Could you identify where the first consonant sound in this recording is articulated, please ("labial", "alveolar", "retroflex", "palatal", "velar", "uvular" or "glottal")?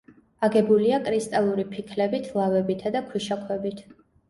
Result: velar